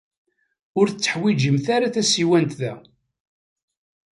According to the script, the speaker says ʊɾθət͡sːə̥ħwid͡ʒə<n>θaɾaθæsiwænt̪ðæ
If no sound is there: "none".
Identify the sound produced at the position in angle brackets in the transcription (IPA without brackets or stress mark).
m